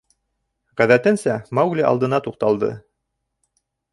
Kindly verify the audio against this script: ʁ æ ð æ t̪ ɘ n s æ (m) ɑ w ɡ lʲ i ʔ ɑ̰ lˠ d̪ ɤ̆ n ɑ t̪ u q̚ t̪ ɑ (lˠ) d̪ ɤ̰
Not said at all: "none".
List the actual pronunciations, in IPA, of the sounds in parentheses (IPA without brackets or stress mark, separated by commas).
m, lˠ